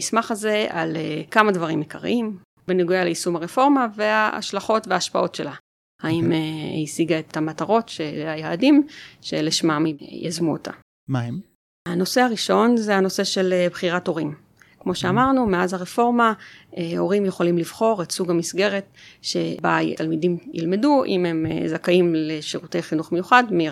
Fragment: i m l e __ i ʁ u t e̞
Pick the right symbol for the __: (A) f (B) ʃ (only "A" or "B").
B